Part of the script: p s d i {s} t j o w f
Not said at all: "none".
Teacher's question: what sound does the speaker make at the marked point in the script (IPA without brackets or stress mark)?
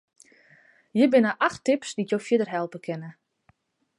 none